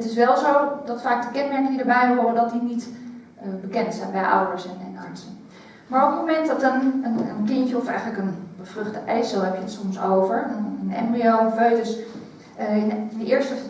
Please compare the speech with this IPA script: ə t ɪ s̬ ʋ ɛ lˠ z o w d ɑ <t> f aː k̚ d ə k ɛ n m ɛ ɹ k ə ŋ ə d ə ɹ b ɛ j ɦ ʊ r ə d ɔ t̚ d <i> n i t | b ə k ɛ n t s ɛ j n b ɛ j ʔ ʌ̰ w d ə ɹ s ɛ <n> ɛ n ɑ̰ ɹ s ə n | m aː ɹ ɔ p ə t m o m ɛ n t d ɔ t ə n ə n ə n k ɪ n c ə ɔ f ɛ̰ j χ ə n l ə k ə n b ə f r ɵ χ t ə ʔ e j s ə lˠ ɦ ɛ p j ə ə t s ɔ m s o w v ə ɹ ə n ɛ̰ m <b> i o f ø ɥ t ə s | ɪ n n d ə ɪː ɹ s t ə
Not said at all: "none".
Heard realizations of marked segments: t, i, n, b

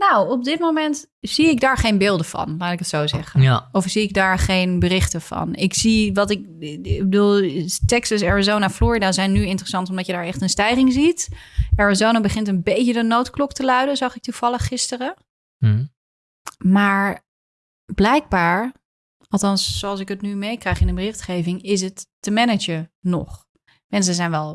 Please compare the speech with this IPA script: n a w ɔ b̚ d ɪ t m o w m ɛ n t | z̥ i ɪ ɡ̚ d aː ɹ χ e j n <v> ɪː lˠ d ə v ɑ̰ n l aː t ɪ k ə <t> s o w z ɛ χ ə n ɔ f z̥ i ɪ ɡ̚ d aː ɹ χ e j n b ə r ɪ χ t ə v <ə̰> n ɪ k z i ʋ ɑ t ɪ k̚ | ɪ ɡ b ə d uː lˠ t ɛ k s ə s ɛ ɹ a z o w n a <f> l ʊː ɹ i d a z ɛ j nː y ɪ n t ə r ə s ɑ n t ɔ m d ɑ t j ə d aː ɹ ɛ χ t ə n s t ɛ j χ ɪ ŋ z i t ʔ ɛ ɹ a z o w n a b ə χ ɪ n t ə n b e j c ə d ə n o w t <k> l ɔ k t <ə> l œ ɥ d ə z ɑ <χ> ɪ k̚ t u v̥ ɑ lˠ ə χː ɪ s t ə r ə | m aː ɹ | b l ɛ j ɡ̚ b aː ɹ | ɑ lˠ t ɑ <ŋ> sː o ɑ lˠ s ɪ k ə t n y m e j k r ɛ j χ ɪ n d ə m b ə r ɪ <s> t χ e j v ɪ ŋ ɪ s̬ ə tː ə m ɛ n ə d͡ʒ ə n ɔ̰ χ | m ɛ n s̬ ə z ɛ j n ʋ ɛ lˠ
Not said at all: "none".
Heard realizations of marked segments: b, t, ɑ̰, f, k, ə, χ, n, χ

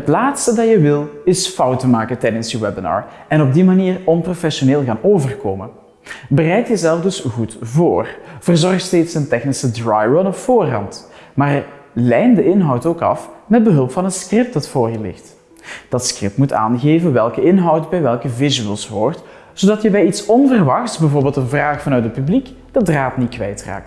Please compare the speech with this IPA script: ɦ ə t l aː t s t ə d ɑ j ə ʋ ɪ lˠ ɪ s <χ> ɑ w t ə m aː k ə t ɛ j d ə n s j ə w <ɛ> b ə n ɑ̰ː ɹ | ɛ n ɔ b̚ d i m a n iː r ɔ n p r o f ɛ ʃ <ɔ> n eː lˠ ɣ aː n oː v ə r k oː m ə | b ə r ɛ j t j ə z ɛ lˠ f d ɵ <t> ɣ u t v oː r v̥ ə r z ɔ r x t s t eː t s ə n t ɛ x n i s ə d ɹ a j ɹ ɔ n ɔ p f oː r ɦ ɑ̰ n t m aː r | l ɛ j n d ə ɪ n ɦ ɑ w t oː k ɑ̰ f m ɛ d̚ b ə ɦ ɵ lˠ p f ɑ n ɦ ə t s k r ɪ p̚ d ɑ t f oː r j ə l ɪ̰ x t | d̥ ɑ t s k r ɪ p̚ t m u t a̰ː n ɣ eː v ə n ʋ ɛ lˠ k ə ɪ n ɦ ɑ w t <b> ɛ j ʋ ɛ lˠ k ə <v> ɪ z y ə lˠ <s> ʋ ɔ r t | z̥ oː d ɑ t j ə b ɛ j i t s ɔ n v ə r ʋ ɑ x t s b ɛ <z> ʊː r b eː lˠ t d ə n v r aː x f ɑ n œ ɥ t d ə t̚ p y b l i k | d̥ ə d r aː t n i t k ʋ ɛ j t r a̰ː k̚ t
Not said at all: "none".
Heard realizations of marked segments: f, ɛ, o, s, b, v, s, v

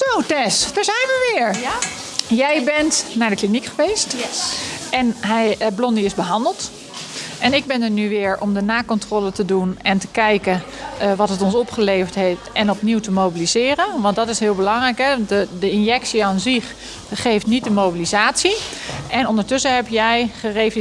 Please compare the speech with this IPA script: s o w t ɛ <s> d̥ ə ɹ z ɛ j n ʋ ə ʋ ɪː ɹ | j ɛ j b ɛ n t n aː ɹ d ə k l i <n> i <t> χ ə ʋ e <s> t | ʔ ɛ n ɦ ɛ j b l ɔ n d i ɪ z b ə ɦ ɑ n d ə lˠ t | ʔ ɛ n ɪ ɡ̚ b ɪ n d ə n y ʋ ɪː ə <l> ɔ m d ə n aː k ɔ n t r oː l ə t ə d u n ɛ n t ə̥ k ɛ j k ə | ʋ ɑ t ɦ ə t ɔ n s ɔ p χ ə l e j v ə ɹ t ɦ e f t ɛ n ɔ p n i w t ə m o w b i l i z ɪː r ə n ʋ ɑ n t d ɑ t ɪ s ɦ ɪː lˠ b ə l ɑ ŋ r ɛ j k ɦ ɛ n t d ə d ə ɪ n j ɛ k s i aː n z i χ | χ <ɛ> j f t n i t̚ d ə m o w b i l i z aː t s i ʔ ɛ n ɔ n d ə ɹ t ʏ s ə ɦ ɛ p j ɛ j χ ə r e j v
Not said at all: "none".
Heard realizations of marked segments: s, n, k, s, ɹ, e

